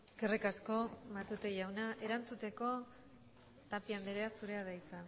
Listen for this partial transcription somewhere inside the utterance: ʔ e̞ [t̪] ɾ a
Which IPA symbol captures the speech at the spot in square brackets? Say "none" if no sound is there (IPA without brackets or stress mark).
none